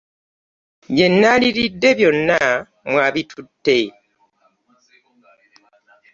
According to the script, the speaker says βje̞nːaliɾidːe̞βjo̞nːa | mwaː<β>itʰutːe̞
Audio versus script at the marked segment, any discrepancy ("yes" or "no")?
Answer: no